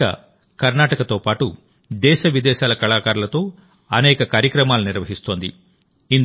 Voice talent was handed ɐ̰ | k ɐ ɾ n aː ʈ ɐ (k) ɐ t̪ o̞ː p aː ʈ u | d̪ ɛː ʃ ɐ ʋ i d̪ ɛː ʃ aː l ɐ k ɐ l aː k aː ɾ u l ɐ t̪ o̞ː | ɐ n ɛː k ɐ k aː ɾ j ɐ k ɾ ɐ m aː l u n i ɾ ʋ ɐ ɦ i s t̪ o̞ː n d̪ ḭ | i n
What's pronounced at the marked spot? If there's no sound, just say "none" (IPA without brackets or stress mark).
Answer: k